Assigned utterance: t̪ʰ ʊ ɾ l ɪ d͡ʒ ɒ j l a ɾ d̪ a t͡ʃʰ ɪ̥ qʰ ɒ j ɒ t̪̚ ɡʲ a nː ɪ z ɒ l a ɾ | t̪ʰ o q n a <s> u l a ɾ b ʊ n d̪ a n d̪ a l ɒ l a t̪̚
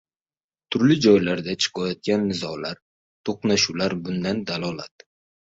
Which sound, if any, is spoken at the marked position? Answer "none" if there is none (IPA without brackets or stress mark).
ʃ